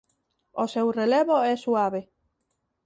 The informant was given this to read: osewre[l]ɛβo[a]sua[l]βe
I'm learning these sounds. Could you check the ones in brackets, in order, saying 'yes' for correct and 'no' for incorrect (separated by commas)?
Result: yes, no, no